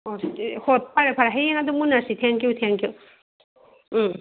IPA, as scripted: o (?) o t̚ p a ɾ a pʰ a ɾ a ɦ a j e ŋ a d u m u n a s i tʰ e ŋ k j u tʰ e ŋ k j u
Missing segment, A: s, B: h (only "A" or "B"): B